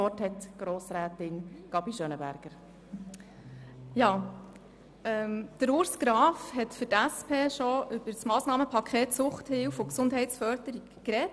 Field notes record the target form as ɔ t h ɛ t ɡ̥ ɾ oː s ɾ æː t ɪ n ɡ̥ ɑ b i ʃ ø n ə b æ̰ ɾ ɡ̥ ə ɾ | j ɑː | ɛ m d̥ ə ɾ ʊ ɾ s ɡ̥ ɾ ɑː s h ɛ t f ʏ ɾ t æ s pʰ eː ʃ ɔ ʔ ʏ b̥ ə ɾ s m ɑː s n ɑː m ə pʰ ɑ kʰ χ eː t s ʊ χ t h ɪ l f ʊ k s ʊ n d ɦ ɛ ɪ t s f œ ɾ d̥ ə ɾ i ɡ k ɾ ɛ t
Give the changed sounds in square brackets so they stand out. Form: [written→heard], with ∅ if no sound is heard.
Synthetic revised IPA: ɔ t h ɛ t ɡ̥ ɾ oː s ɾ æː t ɪ n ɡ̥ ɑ b i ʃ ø n ə b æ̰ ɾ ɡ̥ ə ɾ | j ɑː | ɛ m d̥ ə ɾ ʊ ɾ s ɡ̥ ɾ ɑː [s→f] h ɛ t f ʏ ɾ t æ s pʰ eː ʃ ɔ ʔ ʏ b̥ ə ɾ s m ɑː s n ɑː m ə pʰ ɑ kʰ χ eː t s ʊ χ t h ɪ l f ʊ k s ʊ n d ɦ ɛ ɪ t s f œ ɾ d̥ ə ɾ i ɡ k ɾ ɛ t

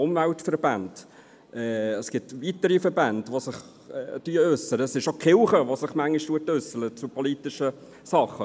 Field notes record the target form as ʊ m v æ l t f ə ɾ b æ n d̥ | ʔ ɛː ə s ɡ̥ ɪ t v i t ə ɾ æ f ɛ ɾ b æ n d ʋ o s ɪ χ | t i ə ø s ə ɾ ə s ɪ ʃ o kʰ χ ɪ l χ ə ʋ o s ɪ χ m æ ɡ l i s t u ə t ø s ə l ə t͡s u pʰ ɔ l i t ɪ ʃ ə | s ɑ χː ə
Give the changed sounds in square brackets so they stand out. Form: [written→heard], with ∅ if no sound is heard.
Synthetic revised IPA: ʊ m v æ l t f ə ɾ b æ n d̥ | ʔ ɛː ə s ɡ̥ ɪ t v i t ə ɾ [æ→i] f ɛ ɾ b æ n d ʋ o s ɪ χ | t [i→y] ə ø s ə ɾ ə s ɪ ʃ o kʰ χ ɪ l χ ə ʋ o s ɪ χ m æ [ɡ→ŋ] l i [s→ʃ] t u ə t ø s ə l ə t͡s u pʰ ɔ l i t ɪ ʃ ə | s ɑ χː ə

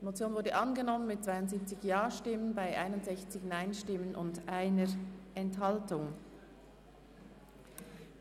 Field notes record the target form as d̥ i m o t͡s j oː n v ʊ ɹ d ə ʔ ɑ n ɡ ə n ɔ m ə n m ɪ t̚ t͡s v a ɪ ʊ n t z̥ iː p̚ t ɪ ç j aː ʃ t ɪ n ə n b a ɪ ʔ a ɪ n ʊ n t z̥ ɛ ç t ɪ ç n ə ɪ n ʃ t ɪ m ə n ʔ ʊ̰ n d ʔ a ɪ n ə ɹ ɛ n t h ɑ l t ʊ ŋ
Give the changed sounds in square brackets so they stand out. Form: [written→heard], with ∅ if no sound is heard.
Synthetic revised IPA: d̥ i m o t͡s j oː n v ʊ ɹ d ə ʔ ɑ n ɡ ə n ɔ m ə n m ɪ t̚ t͡s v a ɪ ʊ n t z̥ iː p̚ [t→t͡s] ɪ ç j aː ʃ t ɪ [n→m] ə n b a ɪ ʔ a ɪ n ʊ n t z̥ ɛ ç [t→t͡s] ɪ ç n [ə→a] ɪ n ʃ t ɪ m ə n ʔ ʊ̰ n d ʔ a ɪ n ə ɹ ɛ n t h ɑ l t ʊ ŋ

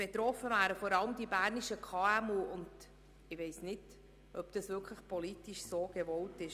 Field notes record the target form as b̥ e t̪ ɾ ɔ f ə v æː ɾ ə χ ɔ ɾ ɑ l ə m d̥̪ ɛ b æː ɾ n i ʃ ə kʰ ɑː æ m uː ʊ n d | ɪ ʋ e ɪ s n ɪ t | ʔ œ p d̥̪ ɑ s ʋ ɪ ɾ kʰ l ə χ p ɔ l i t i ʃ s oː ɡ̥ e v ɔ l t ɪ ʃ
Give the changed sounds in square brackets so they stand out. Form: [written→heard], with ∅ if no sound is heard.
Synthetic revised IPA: b̥ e t̪ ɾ ɔ f ə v æː ɾ ə [χ→f] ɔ ɾ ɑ l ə m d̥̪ [ɛ→i] b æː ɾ n i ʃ ə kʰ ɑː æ m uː ʊ n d | ɪ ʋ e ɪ s n ɪ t | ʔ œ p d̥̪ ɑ s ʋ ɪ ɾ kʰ l ə χ p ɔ l i t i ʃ s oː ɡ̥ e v ɔ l t ɪ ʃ

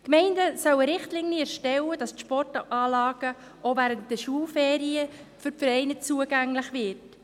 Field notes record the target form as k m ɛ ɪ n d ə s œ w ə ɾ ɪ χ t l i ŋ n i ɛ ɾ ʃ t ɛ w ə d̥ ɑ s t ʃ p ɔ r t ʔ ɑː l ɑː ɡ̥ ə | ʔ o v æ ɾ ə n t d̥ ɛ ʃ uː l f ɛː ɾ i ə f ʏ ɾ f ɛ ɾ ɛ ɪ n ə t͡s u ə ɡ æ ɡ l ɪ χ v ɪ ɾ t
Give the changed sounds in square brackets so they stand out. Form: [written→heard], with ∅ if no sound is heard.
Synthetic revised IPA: k m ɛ ɪ n d ə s œ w ə ɾ ɪ χ t l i ŋ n i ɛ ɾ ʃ t ɛ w ə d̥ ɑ s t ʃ p ɔ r t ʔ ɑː l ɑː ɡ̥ ə | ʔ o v æ ɾ ə n t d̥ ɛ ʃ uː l f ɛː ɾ i ə f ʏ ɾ f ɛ ɾ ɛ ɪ n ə t͡s u ə ɡ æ [ɡ→ŋ] l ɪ χ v ɪ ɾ t

